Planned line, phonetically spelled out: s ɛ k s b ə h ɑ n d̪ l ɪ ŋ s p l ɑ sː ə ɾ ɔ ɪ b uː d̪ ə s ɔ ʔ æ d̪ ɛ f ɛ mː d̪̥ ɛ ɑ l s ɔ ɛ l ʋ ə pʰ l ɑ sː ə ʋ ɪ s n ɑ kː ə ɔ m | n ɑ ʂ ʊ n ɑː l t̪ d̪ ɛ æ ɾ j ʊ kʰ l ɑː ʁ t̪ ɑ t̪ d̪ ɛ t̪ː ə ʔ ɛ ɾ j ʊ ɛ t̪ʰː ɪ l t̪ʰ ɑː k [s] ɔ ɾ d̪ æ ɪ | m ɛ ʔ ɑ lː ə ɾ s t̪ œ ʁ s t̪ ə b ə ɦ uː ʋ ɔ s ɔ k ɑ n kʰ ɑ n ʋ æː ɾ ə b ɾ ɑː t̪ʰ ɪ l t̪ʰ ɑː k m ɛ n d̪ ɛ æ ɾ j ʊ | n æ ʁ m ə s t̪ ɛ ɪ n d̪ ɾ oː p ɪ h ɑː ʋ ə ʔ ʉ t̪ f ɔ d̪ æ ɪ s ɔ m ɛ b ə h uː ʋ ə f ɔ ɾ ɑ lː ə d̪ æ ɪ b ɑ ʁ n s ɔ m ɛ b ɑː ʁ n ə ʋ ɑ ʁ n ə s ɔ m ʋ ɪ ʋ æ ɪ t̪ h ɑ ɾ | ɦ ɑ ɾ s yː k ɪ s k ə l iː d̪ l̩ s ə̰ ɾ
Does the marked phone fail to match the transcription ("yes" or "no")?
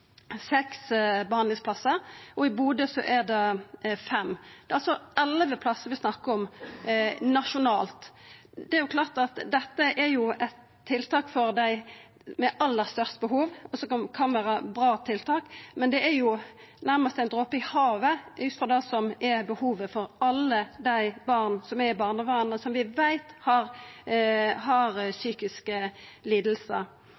yes